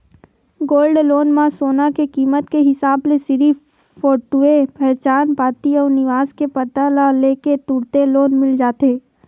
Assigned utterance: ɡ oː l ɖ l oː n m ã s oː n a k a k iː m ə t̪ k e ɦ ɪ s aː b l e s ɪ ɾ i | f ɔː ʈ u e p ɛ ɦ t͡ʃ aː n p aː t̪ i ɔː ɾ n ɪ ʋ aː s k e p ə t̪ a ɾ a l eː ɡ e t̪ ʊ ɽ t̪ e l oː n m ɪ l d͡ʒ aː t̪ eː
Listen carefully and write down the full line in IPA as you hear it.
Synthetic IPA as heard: ɡ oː l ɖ l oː n m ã s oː n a k e k iː m ə t̪ k e ɦ ɪ s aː b l e s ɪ ɾ i | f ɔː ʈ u e p ɛ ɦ t͡ʃ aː n p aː t̪ i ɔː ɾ n ɪ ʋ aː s k e p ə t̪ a l a l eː k e t̪ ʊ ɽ t̪ e l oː n m ɪ l d͡ʒ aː t̪ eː